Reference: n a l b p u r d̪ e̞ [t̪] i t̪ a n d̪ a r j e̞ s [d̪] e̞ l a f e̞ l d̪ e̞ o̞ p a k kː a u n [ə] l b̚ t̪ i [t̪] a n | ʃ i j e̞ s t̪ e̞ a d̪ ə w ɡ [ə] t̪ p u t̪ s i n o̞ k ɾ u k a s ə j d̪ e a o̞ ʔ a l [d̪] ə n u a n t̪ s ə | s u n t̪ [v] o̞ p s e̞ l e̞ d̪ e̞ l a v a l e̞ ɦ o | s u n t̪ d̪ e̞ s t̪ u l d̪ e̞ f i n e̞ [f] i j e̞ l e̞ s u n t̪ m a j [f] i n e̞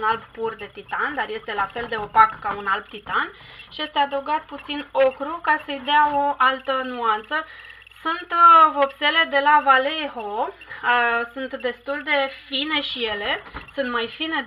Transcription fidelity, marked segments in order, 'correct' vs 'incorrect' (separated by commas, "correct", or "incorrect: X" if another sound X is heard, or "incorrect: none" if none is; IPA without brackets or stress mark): correct, incorrect: t̪, incorrect: a, correct, incorrect: a, incorrect: t̪, correct, incorrect: ʃ, correct